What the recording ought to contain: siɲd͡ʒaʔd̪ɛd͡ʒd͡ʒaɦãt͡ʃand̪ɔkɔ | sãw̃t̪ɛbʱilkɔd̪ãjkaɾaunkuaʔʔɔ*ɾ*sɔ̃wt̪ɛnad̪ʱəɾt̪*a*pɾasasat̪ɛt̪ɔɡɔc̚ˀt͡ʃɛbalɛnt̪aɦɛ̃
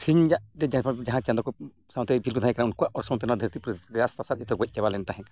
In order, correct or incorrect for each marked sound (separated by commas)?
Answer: correct, incorrect